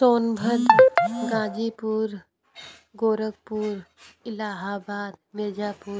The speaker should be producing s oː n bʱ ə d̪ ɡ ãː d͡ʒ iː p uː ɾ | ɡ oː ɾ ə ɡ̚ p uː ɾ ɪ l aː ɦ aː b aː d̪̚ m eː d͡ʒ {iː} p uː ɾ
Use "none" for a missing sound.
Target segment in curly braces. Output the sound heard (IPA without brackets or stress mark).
aː